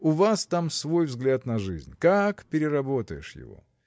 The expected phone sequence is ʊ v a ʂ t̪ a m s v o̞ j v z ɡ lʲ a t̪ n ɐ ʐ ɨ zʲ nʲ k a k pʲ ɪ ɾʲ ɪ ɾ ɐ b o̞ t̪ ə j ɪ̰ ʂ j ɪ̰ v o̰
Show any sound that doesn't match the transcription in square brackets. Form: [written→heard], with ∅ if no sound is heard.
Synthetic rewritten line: ʊ v a [ʂ→s] t̪ a m s v o̞ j v z ɡ lʲ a t̪ n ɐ ʐ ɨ zʲ nʲ k a k pʲ ɪ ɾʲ ɪ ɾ ɐ b o̞ t̪ ə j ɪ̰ ʂ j ɪ̰ v o̰